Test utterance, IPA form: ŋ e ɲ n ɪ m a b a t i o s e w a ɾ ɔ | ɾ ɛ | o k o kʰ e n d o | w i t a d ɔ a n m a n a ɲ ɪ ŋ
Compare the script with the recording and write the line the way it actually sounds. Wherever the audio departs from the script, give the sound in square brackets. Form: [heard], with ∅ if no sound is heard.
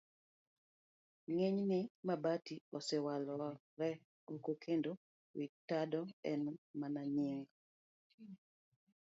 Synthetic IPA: ŋ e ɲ n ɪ m a b a t i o s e w a [l] ɔ | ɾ ɛ | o k o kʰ e n d o | w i t a d ɔ [ɛ] n m a n a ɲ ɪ ŋ